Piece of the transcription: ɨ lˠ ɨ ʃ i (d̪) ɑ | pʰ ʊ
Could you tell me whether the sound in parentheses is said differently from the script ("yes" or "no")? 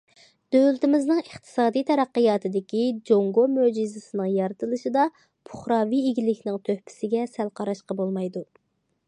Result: no